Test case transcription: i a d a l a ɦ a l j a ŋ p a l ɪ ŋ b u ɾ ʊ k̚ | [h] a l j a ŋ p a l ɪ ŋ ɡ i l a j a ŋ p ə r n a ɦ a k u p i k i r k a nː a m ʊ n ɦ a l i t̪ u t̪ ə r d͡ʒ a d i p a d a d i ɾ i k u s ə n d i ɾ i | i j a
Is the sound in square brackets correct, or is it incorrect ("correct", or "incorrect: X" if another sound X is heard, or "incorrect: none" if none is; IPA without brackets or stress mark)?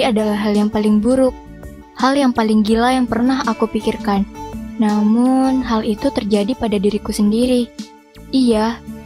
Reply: correct